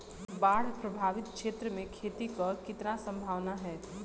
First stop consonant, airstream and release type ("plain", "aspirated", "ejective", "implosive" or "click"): plain